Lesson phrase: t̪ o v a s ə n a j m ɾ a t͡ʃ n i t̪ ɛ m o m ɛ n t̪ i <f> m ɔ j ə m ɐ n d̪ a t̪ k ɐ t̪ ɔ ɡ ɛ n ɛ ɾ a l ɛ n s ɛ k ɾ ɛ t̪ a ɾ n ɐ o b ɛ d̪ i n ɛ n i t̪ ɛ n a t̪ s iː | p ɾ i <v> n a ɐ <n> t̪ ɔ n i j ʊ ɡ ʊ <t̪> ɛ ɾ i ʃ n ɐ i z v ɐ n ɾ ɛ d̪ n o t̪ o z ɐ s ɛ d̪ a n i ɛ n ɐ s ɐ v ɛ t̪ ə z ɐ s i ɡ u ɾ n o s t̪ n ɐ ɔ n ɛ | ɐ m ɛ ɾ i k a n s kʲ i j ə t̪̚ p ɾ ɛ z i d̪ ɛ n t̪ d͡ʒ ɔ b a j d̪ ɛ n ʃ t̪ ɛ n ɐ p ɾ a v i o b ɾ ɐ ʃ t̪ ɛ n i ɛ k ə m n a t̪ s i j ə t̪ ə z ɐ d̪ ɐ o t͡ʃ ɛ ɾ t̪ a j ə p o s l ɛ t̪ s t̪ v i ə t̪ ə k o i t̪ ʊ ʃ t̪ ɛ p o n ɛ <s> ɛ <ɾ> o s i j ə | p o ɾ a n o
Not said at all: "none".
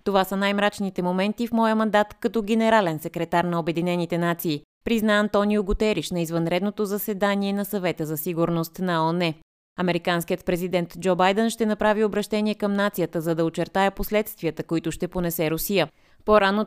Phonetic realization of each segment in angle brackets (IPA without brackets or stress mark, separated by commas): f, z, n, t̪, s, ɾ